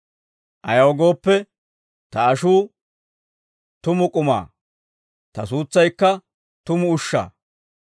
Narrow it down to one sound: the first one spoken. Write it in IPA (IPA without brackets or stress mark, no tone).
ʔ